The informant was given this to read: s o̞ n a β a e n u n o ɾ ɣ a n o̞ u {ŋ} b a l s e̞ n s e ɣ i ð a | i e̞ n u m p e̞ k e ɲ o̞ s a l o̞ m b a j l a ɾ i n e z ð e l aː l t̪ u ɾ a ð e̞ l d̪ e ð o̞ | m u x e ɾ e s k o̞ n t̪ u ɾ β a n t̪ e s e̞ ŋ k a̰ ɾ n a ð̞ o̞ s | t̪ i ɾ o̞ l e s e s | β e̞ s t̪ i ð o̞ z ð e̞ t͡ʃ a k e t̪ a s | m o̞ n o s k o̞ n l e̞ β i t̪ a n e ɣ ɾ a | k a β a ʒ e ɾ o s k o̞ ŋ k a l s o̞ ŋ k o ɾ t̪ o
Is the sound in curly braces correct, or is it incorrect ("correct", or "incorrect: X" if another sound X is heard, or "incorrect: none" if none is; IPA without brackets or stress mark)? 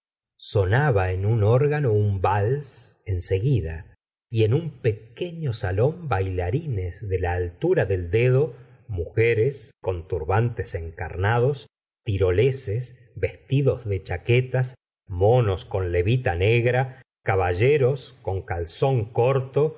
incorrect: m